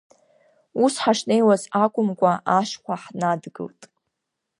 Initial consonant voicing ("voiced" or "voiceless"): voiceless